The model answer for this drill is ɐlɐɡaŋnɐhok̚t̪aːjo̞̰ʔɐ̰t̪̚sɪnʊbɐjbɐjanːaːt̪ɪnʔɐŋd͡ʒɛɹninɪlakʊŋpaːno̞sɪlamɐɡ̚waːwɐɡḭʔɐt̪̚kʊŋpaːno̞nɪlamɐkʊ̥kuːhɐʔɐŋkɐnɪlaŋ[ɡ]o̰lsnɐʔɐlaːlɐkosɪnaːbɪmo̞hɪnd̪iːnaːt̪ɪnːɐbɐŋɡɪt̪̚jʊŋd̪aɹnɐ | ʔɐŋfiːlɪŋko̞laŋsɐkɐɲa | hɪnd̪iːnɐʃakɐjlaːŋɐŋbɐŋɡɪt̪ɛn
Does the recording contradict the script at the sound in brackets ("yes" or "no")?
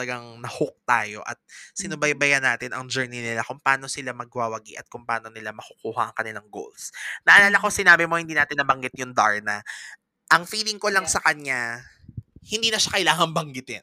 no